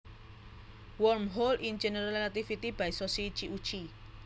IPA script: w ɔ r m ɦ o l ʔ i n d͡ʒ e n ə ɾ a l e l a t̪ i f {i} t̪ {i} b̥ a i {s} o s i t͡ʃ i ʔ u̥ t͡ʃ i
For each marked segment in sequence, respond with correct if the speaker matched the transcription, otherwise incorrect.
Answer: correct, correct, correct

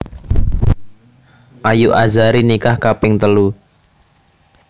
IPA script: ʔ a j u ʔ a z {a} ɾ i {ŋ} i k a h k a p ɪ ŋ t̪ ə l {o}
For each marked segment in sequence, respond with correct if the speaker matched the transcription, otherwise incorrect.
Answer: correct, incorrect, incorrect

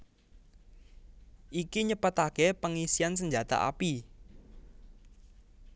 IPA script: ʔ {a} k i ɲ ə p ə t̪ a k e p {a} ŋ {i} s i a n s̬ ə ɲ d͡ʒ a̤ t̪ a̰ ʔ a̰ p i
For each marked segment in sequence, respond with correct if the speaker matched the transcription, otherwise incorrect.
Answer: incorrect, incorrect, correct

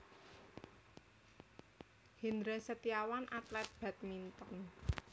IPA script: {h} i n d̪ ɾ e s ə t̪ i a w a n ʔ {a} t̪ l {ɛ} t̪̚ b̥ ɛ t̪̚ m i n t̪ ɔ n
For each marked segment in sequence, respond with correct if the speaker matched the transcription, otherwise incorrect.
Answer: correct, correct, correct

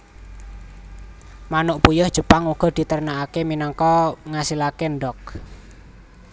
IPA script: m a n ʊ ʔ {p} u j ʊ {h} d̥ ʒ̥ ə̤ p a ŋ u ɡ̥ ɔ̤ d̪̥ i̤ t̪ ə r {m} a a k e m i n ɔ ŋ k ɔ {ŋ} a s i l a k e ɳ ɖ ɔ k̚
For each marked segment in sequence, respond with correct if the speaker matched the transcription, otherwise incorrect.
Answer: correct, correct, incorrect, correct

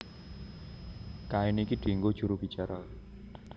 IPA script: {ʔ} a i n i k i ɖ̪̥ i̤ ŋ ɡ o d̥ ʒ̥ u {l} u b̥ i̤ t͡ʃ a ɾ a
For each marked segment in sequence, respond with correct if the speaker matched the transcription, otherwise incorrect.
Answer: incorrect, incorrect

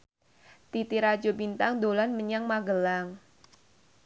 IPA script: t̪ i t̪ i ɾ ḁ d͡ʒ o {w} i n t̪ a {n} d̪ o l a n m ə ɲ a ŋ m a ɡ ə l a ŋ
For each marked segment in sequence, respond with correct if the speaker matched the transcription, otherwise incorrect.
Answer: incorrect, incorrect

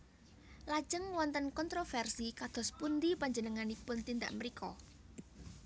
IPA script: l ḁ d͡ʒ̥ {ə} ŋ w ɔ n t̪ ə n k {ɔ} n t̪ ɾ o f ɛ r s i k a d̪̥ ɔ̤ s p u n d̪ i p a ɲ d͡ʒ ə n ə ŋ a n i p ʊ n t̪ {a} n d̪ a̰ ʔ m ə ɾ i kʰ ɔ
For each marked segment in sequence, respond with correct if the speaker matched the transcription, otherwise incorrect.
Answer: correct, correct, incorrect

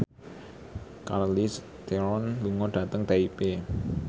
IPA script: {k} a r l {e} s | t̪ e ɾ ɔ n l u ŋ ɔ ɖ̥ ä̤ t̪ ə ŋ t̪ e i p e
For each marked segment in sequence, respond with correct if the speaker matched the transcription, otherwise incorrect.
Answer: correct, incorrect

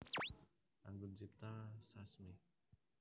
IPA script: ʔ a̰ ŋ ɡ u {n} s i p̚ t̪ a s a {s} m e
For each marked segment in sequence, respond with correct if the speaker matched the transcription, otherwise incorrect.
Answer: correct, correct

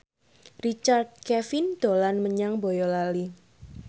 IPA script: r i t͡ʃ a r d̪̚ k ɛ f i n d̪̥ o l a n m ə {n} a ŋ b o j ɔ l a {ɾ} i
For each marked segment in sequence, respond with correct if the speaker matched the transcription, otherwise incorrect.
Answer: incorrect, incorrect

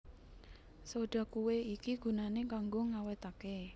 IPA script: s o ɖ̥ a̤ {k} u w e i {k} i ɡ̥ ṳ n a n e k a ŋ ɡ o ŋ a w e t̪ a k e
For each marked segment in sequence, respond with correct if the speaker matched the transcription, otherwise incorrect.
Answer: correct, correct

